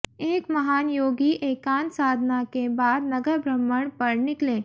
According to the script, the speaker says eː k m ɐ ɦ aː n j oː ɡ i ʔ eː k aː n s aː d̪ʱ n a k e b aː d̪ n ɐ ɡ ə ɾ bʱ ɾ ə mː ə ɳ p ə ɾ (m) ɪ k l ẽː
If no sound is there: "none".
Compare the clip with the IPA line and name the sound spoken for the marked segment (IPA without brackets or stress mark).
n